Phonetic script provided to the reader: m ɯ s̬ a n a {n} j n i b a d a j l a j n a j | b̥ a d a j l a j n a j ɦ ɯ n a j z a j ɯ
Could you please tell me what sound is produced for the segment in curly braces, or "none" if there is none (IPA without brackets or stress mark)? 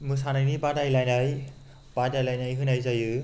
none